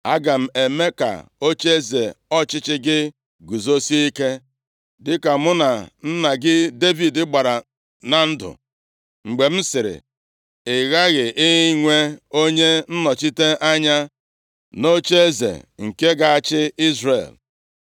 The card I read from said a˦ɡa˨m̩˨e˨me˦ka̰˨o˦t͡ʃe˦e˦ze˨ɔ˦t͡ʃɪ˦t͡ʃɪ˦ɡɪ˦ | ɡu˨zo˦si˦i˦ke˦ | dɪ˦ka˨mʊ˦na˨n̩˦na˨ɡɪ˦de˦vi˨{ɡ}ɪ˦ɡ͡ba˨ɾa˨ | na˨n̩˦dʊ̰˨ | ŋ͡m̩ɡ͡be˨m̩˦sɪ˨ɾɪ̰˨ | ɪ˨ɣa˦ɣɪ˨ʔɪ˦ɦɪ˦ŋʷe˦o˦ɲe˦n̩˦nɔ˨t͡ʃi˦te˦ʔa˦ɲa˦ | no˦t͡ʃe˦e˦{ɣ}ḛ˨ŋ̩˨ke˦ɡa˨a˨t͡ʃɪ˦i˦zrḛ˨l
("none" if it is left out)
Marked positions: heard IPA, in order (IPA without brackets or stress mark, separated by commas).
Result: d, z